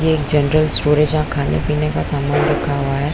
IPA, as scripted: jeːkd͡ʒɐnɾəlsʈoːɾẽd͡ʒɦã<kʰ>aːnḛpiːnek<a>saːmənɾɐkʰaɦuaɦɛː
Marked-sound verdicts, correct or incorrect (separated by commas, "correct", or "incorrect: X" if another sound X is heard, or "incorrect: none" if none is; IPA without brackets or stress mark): correct, correct